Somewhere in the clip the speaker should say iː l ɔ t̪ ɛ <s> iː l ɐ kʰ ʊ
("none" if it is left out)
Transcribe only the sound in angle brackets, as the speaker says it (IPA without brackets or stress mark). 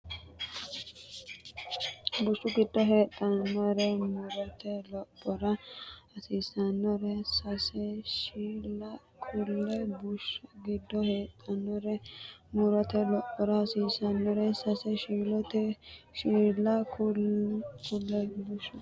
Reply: ʃ